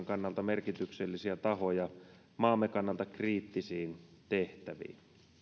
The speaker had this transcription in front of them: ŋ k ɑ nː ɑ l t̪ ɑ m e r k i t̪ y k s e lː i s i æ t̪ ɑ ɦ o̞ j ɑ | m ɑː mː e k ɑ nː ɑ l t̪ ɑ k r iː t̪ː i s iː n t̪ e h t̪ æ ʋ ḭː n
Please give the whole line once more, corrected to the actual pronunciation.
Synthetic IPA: ŋ k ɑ nː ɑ l t̪ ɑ m e r k i t̪ y k s e lː i s i æ t̪ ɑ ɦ o̞ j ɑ | m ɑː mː e k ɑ nː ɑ l t̪ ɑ k r iː t̪ː i s iː n t̪ e h t̪ æ ʋ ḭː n